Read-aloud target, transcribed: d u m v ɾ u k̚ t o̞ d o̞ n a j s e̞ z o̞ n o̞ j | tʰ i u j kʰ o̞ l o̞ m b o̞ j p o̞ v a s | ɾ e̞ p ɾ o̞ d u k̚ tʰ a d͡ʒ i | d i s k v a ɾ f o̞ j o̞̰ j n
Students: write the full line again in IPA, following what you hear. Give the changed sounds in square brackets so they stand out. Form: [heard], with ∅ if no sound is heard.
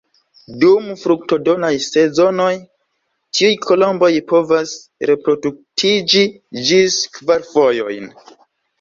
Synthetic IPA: d u m [f] ɾ u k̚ t o̞ d o̞ n a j s e̞ z o̞ n o̞ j | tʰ i u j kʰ o̞ l o̞ m b o̞ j p o̞ v a s | ɾ e̞ p ɾ o̞ d u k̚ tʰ [i] d͡ʒ i | [d͡ʒ] i s k v a ɾ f o̞ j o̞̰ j n